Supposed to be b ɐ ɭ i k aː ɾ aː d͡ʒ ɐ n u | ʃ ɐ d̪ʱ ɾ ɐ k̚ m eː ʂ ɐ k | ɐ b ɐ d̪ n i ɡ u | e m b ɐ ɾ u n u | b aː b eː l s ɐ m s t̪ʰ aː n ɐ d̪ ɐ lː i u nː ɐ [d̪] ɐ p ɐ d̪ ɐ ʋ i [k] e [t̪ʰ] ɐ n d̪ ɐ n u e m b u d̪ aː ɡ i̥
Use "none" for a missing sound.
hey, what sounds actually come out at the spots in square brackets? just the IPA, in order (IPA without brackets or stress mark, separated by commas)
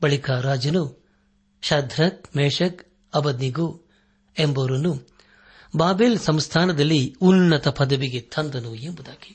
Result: t̪, ɡ, t̪ʰ